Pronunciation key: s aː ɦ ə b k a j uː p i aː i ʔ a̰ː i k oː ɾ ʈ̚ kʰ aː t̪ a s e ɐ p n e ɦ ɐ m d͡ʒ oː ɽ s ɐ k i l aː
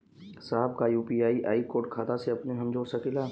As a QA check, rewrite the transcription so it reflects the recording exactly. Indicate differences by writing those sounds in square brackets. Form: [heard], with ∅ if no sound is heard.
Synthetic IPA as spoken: s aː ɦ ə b k a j uː p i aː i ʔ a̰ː i k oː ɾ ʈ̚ kʰ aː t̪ a s e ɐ p n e ɦ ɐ m d͡ʒ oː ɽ s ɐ k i l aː